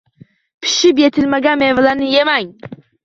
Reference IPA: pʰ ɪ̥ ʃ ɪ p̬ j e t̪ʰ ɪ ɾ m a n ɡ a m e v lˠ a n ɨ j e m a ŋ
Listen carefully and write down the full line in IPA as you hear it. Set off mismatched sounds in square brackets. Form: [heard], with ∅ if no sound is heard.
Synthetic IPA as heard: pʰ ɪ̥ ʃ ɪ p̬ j e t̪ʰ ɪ [l] m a [∅] ɡ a m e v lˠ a n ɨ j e m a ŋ